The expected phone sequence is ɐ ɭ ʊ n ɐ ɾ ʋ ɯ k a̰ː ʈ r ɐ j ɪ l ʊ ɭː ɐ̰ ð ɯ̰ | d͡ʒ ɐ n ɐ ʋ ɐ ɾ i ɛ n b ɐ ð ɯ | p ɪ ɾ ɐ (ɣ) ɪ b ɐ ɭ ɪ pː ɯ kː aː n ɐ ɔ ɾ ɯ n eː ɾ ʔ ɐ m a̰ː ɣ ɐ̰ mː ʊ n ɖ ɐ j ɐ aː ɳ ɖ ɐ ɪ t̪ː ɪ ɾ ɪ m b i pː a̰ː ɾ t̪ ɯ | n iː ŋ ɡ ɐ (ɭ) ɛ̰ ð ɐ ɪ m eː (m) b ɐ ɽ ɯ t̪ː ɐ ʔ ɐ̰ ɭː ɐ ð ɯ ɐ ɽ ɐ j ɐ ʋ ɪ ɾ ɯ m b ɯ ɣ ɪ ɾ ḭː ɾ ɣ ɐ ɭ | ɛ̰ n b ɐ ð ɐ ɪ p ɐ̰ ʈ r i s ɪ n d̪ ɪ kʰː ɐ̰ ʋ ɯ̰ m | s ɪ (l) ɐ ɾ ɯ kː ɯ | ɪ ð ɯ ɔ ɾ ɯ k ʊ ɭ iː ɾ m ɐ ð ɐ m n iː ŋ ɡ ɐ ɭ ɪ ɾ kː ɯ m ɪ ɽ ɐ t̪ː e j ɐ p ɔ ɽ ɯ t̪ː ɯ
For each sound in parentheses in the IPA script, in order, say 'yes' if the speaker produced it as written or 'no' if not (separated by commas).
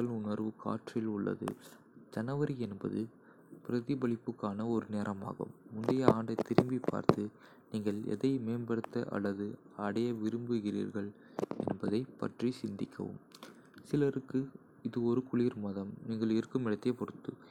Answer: no, yes, no, yes